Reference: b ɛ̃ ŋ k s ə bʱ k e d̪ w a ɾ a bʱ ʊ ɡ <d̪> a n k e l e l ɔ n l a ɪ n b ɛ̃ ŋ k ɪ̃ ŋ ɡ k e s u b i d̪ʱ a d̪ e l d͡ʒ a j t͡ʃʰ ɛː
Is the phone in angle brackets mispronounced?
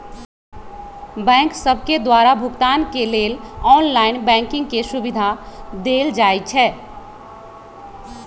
yes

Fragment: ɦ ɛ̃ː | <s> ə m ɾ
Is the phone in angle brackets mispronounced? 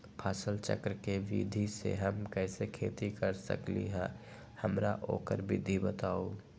yes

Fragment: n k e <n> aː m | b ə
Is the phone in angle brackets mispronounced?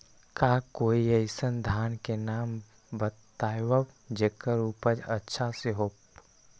no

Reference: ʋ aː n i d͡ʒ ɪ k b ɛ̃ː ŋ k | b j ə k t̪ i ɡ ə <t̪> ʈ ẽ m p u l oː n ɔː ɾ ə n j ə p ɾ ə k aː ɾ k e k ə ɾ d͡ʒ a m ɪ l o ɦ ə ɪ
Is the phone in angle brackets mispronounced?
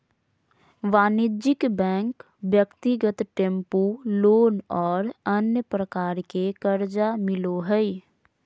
no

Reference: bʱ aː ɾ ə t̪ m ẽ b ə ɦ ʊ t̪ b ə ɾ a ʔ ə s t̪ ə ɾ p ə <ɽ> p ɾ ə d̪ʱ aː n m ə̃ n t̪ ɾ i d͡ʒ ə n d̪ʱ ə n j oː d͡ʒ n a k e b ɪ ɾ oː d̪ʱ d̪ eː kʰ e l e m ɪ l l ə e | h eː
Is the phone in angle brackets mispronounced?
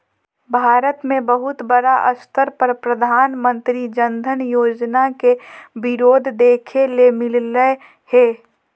yes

